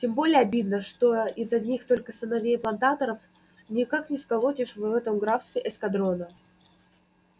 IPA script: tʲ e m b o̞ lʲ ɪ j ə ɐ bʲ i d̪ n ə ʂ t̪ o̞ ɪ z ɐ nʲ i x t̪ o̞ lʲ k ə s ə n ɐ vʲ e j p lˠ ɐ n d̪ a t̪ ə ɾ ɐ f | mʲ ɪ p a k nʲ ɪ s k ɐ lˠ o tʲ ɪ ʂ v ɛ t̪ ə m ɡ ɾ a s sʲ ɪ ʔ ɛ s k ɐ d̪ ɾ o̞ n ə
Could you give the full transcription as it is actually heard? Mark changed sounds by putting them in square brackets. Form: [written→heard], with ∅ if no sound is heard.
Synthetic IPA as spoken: tʲ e m b o̞ lʲ ɪ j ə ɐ bʲ i d̪ n ə ʂ t̪ o̞ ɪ z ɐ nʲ i x t̪ o̞ lʲ k ə s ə n ɐ vʲ e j p lˠ ɐ n [d̪→t̪] a t̪ ə ɾ [ɐ→ə] f | [mʲ→nʲ] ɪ [p→k] a k nʲ ɪ s k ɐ lˠ o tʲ ɪ ʂ v ɛ t̪ ə m ɡ ɾ a [s→f] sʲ ɪ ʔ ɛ s k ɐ d̪ ɾ o̞ n ə